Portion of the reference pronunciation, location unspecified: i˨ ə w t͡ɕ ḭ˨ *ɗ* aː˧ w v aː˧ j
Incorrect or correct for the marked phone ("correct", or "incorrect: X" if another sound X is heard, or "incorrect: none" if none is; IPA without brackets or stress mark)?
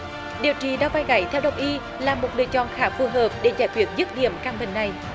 correct